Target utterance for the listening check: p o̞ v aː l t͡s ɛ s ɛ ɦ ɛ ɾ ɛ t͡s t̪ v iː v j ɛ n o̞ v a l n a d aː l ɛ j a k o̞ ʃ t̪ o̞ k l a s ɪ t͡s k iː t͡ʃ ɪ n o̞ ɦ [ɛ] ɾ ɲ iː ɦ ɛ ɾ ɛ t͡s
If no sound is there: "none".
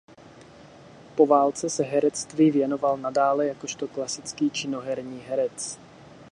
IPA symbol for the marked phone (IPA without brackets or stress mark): ɛ